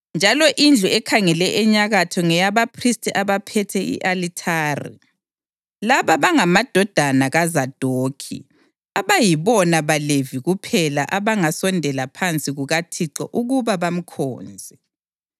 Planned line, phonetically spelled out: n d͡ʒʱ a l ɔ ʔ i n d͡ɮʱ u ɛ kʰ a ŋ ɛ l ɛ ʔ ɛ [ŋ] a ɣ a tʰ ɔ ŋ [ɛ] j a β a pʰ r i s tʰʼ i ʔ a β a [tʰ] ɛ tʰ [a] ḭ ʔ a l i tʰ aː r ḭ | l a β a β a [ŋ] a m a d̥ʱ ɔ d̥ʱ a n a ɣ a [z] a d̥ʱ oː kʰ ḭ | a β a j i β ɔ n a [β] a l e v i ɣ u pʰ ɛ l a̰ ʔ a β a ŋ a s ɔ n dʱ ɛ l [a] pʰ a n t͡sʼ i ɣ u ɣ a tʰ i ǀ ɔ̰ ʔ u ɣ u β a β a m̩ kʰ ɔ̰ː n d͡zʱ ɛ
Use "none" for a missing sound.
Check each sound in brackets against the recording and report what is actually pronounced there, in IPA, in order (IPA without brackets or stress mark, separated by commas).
ɲ, ɛ, pʰ, ɛ, ŋ, z, β, a